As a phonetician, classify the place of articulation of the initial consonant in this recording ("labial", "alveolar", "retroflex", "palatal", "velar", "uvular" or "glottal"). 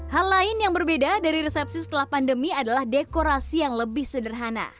glottal